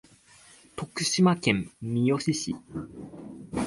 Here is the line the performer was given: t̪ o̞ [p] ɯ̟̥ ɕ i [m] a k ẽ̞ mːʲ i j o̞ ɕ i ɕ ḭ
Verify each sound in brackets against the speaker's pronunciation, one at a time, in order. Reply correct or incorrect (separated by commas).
incorrect, correct